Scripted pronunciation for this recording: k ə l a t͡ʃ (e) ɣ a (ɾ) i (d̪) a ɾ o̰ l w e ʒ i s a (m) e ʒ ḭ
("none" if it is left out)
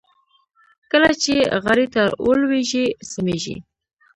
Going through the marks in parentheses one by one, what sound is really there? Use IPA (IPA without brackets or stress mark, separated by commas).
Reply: e, ɾ, t̪, m